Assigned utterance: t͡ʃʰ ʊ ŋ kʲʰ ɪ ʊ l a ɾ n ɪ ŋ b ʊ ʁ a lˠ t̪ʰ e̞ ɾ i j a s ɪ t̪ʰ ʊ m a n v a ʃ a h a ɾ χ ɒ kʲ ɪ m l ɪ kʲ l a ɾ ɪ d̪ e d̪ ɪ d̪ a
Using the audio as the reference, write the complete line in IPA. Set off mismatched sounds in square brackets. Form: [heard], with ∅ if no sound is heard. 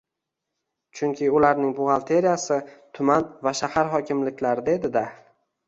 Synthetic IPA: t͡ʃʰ ʊ ŋ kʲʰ ɪ ʊ l a ɾ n ɪ ŋ b ʊ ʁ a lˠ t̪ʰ e̞ ɾ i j a s ɪ t̪ʰ ʊ m a n v a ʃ a h a ɾ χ ɒ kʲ ɪ m l ɪ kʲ l a ɾ ɪ d̪ e d̪ ɪ d̪ a